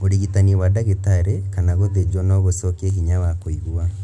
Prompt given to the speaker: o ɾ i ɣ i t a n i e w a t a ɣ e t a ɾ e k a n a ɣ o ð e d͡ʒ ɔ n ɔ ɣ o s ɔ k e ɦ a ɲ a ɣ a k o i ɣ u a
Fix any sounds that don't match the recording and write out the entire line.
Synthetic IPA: o ɾ i ɣ i t a n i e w a d a ɣ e t a ɾ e k a n a ɣ o ð e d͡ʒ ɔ n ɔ ɣ o s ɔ k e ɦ i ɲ a w a k o i ɣ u a

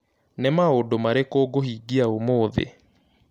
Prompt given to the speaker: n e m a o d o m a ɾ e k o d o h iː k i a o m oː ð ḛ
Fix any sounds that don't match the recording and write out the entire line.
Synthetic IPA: n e m a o d o m a ɾ e k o ɡ o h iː ɡ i a o m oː ð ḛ

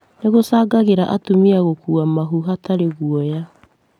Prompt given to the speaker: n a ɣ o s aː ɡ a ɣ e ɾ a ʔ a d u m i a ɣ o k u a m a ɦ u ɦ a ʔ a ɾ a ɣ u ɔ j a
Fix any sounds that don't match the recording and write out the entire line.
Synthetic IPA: n e ɣ o s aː ɡ a ɣ e ɾ a ʔ a t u m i a ɣ o k u a m a ɦ u ɦ a t a ɾ e ɣ u ɔ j a

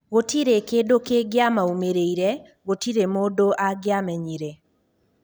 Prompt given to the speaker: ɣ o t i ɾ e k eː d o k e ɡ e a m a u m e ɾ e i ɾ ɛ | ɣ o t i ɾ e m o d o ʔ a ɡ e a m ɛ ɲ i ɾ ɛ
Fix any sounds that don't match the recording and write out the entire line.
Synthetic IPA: ɣ o t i ɾ e k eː d o k e ɡ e a m a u m e ɾ e i ɾ ɛ | ɣ o t i ɾ e m o d o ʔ a ɡ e a m ɛ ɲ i ɾ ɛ

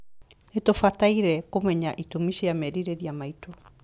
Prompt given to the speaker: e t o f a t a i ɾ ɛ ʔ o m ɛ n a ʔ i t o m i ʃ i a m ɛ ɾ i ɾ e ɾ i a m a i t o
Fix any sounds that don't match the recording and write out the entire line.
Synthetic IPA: e t o f a t a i ɾ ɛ k o m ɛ ɲ a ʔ i t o m i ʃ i a m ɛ ɾ i ɾ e ɾ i a m a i t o

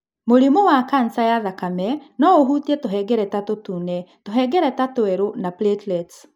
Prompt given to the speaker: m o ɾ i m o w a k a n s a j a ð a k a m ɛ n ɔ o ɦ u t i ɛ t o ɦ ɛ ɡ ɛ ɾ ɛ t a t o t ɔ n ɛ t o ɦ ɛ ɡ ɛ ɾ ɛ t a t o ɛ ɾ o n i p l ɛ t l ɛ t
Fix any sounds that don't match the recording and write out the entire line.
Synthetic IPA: m o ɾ i m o w a k a n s a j a ð a k a m ɛ n ɔ o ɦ u t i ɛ t o ɦ ɛ ɡ ɛ ɾ ɛ t a t o t u n ɛ t o ɦ ɛ ɡ ɛ ɾ ɛ t a t o ɛ ɾ o n a p l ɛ t l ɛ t

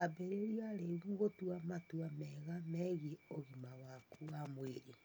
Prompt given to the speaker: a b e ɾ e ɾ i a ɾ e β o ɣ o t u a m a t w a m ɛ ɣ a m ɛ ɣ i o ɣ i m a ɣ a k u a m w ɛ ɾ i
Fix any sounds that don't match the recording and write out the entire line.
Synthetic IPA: a b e ɾ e ɾ i a ɾ e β u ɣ o t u a m a t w a m ɛ ɣ a m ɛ ɣ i o ɣ i m a w a k u a m w e ɾ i

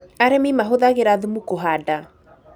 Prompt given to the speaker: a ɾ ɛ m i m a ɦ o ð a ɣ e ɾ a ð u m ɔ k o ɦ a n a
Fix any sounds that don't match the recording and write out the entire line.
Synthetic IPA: a ɾ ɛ m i m a ɦ o ð a ɣ e ɾ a ð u m u k o ɦ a d a

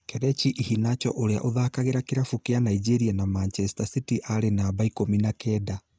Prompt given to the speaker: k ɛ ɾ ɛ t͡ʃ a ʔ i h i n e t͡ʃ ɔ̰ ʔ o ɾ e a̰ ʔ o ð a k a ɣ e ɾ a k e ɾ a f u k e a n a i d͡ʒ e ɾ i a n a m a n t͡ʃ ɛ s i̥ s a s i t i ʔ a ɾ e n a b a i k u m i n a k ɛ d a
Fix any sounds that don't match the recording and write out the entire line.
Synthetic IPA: k ɛ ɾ ɛ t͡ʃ i ʔ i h i n a t͡ʃ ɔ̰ ʔ o ɾ e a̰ ʔ o ð a k a ɣ e ɾ a k e ɾ a f u k e a n a i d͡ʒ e ɾ i a n a m a n t͡ʃ ɛ s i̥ t a s i t i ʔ a ɾ e n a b a i k o m i n a k ɛ d a

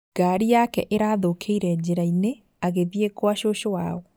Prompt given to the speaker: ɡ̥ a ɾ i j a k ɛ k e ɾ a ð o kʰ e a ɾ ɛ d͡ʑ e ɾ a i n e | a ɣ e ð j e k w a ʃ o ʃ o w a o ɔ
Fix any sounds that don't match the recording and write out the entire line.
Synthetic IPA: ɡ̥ a ɾ i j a k ɛ ʔ e ɾ a ð o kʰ e i ɾ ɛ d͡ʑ e ɾ a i n e | a ɣ e ð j e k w a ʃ o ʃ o w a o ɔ

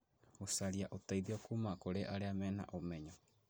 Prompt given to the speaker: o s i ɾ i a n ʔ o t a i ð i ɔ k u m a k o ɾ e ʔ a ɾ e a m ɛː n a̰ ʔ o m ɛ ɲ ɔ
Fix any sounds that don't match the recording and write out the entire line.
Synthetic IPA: o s a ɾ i a ʔ o t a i ð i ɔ k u m a k o ɾ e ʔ a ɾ e a m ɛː n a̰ ʔ o m ɛ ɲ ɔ

